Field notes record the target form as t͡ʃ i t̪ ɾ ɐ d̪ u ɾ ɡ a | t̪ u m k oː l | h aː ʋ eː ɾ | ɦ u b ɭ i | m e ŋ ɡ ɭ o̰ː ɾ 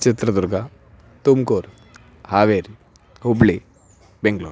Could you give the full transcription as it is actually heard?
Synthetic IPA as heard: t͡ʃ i t̪ ɾ ɐ d̪ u ɾ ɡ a | t̪ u m k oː ɾ | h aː ʋ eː ɾ | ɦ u b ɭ i | b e ŋ ɡ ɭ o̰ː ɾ